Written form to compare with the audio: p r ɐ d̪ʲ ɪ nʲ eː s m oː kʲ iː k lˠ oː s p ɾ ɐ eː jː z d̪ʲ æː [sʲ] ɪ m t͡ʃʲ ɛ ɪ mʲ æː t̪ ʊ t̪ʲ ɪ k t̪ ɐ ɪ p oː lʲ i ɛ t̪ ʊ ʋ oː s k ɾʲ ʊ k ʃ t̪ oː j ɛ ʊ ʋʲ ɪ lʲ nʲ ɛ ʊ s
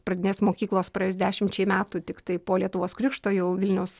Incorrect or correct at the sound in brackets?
incorrect: ʃʲ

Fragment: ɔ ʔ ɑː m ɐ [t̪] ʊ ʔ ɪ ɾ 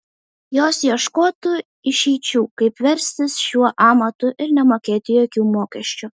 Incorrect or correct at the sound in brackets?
correct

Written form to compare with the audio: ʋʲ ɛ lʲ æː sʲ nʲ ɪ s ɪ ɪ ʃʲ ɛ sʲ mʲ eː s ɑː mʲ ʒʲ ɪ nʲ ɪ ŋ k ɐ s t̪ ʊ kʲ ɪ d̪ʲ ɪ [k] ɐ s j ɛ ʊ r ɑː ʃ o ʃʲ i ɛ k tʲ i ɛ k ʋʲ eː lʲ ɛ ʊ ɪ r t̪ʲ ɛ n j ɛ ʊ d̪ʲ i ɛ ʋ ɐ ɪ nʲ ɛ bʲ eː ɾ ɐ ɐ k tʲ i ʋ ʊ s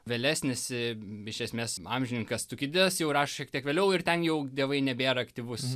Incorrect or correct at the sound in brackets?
incorrect: none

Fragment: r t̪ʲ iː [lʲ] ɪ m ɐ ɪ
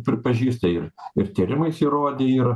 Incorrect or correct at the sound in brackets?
incorrect: ɾʲ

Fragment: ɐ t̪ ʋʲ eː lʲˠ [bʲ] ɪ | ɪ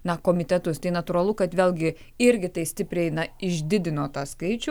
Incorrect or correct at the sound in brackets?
incorrect: ɡʲ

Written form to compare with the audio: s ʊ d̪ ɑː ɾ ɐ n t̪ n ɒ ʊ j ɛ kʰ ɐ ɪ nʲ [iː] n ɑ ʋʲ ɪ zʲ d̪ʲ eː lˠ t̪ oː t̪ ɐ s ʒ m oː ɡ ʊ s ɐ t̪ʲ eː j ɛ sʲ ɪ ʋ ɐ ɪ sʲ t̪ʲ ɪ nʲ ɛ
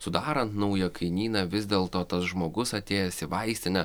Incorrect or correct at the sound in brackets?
correct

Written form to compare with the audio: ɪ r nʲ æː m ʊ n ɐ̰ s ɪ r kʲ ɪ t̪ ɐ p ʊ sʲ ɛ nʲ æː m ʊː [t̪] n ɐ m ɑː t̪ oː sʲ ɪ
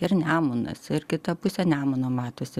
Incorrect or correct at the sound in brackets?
incorrect: none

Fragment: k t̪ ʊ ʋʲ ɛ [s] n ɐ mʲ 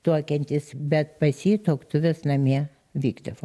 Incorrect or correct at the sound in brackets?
correct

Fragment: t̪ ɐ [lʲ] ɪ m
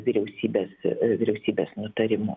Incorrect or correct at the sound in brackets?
incorrect: ɾʲ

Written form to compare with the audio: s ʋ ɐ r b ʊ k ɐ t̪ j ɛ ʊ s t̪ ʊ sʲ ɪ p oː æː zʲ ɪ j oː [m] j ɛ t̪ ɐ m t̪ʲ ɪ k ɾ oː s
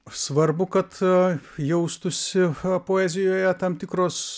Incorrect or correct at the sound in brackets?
incorrect: none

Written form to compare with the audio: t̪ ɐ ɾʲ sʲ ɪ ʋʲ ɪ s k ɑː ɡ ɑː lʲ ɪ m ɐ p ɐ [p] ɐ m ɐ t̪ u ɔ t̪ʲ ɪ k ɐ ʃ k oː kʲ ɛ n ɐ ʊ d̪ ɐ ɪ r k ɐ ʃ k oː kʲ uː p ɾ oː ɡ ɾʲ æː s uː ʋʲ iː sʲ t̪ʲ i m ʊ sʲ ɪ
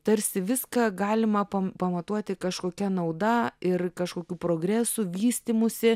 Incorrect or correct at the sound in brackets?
correct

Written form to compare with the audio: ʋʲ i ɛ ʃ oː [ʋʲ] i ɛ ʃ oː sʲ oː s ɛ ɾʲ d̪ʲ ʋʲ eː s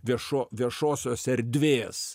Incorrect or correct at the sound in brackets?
correct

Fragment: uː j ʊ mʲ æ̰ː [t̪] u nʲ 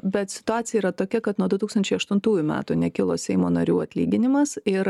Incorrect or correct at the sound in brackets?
correct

